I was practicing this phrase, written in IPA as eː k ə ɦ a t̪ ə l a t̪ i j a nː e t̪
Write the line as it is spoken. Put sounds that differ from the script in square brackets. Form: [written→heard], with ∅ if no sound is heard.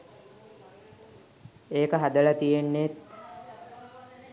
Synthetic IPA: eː k ə ɦ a [t̪→d̪] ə l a t̪ i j [a→e] nː e t̪